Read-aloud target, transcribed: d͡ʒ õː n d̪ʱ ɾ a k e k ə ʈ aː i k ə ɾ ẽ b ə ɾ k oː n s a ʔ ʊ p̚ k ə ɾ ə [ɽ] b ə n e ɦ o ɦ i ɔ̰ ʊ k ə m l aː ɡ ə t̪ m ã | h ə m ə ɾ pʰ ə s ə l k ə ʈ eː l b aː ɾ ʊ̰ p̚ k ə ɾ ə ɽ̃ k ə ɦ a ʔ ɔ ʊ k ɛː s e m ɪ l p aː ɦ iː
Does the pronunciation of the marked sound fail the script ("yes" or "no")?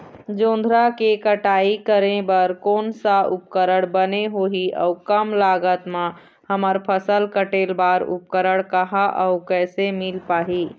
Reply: no